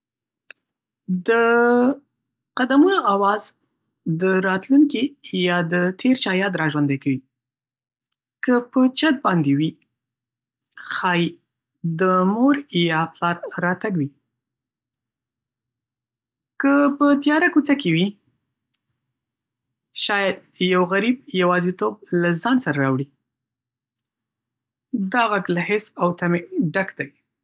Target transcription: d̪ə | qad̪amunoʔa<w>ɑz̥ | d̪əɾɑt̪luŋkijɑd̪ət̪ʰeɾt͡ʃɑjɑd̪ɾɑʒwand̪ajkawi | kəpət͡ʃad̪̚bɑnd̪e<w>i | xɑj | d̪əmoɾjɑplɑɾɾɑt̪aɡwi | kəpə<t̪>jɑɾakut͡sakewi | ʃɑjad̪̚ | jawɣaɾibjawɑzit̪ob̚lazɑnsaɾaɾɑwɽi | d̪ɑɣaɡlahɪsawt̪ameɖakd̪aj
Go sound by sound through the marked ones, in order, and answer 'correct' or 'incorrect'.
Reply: correct, correct, correct

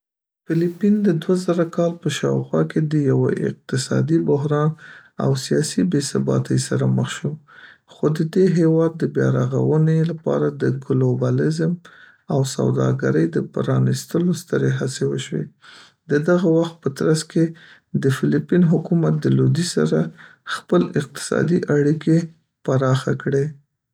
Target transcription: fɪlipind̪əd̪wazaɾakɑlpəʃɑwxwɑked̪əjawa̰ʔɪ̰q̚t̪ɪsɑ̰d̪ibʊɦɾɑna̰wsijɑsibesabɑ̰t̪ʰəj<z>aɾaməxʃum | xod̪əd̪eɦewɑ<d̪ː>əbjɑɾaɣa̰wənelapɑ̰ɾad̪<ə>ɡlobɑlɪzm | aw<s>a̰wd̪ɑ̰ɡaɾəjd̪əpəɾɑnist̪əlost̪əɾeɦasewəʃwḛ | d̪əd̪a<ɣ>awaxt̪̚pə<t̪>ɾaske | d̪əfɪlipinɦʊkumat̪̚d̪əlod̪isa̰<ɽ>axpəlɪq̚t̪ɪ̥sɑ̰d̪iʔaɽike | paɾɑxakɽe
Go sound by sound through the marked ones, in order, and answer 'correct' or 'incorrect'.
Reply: incorrect: s, correct, correct, correct, correct, correct, incorrect: ɾ

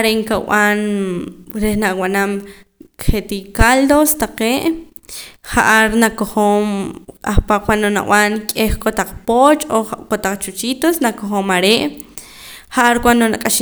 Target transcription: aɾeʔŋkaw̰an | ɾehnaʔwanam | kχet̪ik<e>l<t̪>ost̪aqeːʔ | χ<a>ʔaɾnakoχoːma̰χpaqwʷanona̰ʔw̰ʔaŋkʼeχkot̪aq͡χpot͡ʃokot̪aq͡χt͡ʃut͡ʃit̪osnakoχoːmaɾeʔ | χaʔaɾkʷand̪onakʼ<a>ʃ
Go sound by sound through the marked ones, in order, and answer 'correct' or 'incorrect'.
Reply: incorrect: a, incorrect: d̪, correct, correct

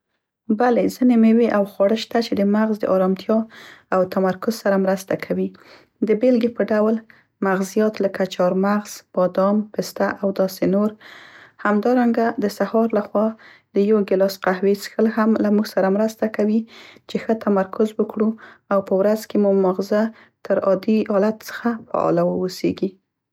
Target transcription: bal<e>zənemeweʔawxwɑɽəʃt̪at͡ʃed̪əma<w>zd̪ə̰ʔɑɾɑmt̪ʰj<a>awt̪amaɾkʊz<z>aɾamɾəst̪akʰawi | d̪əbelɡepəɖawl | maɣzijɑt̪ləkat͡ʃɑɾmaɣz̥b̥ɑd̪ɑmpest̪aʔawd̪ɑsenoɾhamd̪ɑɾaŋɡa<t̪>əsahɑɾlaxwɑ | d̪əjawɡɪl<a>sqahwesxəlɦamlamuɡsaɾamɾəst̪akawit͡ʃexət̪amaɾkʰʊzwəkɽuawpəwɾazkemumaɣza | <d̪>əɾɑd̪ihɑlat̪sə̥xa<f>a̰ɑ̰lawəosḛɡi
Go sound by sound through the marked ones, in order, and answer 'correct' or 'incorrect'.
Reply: correct, incorrect: ɣ, incorrect: ɑ, incorrect: s, incorrect: d̪, incorrect: ɑ, incorrect: t̪, correct

